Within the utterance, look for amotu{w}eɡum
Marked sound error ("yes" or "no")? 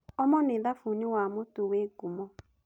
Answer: no